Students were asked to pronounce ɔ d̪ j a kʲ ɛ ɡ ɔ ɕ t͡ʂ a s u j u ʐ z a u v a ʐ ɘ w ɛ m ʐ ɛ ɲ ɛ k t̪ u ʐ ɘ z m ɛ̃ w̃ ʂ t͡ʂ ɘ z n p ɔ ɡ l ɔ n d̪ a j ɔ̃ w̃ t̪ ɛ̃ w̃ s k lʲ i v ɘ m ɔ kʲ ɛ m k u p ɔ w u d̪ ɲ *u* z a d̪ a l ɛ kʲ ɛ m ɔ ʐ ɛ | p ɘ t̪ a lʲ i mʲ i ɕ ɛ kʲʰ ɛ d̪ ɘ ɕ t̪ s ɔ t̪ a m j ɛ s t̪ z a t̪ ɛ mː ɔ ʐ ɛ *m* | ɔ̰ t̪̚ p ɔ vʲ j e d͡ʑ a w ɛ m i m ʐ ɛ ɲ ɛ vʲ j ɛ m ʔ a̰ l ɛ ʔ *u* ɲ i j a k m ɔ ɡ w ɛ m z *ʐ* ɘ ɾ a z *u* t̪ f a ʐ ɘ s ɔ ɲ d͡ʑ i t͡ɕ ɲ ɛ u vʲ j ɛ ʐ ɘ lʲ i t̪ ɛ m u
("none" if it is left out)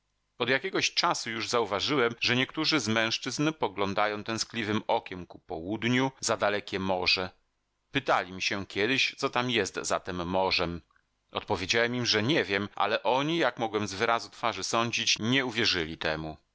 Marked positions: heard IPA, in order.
u, m, ɔ, v, u

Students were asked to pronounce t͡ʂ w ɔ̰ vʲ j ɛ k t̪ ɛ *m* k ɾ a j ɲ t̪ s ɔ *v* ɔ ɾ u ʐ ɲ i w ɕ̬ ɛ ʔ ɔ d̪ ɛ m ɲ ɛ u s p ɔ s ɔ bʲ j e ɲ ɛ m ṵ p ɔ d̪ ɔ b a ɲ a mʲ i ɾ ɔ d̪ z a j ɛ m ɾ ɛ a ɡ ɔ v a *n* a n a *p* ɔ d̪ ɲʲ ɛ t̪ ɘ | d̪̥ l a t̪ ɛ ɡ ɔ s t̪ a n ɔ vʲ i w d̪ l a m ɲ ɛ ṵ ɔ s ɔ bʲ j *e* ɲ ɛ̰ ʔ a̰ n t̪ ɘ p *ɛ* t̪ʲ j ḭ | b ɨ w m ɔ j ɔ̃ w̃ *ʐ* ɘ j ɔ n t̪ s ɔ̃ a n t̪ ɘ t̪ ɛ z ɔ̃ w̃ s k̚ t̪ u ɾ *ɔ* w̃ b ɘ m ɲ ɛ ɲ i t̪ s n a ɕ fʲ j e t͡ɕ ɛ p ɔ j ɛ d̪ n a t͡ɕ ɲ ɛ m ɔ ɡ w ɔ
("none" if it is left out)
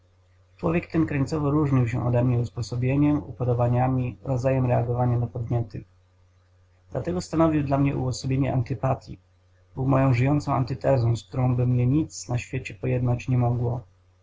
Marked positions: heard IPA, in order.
n, v, ɲ, p, e, a, ʐ, ɔ̃

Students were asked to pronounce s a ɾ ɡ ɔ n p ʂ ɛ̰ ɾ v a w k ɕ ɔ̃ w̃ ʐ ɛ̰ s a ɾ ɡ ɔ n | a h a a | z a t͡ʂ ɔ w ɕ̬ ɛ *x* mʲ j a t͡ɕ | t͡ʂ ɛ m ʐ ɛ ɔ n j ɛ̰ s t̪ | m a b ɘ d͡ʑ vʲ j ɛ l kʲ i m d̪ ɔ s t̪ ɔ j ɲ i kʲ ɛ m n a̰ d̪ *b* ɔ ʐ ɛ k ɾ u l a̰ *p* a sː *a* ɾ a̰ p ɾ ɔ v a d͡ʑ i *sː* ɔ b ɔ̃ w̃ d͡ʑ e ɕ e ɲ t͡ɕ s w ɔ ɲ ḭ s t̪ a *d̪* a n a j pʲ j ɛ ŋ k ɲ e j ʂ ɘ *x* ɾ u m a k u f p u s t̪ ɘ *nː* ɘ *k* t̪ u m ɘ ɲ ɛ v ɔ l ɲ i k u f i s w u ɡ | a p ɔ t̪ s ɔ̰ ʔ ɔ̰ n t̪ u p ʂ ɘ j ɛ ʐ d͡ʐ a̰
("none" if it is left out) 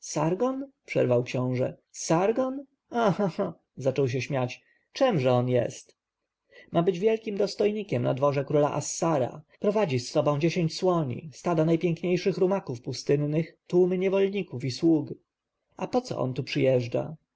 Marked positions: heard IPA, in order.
ɕ, v, ʔ, a, sː, d̪, x, nː, x

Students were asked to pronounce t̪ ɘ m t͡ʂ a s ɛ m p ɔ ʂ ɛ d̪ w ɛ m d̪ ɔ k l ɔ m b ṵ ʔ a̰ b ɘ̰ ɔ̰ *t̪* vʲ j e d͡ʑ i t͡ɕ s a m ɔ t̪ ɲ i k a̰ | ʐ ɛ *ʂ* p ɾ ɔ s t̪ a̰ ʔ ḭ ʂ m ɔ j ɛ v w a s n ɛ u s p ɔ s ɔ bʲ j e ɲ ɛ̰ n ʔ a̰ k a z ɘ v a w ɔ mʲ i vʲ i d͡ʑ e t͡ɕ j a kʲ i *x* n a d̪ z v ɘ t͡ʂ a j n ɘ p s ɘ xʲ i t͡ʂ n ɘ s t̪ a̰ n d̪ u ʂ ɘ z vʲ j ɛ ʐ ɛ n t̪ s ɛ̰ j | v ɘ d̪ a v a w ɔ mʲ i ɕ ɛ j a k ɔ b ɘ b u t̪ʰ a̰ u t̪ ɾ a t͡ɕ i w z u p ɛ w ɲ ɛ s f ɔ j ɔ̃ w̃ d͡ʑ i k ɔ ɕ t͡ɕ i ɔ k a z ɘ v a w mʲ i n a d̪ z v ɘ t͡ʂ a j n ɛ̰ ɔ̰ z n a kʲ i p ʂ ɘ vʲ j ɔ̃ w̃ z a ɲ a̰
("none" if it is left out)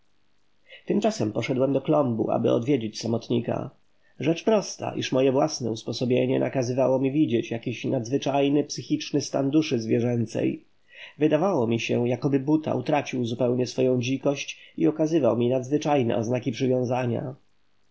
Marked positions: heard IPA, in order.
d̪, t͡ʂ, ɕ

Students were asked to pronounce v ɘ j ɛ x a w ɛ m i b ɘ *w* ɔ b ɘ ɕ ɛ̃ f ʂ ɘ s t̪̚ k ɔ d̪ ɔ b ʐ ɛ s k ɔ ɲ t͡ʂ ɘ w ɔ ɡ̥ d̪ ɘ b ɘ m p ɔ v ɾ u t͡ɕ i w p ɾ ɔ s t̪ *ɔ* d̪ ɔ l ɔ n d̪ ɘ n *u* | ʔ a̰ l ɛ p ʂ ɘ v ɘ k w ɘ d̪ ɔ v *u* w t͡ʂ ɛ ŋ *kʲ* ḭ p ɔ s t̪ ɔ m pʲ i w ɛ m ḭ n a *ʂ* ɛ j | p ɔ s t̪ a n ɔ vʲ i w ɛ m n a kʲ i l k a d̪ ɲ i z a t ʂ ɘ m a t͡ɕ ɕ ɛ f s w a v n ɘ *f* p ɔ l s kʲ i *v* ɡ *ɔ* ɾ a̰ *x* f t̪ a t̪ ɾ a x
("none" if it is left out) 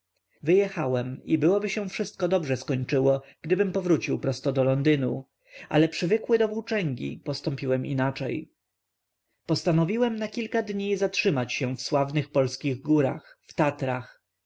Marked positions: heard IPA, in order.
w, ɔ, u, u, ɡʲ, t͡ʂ, x, ɣ, u, x

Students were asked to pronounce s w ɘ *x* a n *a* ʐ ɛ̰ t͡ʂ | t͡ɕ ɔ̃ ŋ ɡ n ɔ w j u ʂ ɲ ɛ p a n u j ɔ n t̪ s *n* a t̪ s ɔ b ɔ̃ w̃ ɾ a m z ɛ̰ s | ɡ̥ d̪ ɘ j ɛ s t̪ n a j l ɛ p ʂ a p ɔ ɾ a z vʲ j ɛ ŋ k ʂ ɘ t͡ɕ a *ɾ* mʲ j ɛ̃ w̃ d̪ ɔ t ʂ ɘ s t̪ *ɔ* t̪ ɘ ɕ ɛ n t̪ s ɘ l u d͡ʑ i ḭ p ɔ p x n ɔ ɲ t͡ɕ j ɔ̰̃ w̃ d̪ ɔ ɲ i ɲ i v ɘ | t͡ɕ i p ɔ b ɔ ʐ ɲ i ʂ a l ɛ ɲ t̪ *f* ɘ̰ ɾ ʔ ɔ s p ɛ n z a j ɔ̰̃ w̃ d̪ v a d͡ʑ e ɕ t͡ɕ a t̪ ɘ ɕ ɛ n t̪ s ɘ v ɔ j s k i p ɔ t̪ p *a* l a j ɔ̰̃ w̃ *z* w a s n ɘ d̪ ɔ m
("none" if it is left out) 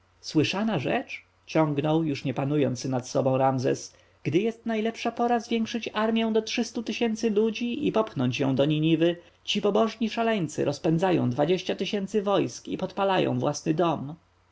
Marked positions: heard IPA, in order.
ʂ, a, n, ɾ, u, s, a, v

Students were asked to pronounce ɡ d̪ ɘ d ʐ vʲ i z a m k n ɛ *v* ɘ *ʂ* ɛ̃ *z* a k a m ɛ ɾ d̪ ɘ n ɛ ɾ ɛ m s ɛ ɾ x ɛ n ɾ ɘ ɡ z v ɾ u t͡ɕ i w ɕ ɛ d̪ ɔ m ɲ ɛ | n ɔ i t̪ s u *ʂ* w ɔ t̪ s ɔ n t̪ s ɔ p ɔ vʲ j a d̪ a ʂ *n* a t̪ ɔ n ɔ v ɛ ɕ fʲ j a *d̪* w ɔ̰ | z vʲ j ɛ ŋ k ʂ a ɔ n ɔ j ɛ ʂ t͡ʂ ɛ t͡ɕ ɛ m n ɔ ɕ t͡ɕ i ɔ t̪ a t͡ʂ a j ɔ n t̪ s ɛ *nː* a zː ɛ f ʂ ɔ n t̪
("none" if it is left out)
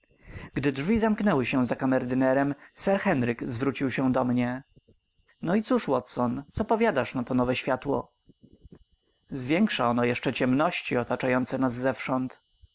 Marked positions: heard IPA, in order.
w, ɕ, z, ʂ, n, t̪, n

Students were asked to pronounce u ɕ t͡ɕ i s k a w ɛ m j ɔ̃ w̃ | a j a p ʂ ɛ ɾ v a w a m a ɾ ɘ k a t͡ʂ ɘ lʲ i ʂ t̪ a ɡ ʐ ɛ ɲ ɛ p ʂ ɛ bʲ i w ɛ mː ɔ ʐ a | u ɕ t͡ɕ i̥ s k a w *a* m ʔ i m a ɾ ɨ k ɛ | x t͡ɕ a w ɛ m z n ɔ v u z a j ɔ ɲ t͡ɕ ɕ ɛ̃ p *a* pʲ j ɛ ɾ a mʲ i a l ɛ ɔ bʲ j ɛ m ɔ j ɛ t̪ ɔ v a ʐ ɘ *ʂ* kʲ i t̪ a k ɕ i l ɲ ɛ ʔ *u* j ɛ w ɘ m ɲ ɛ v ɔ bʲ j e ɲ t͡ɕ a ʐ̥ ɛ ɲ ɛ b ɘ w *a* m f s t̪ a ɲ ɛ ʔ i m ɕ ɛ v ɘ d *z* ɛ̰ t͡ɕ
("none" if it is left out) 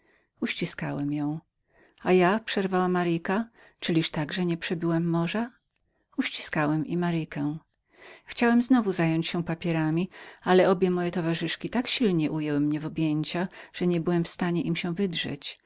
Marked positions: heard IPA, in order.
ɛ, a, ʂ, u, ɛ, ʐ

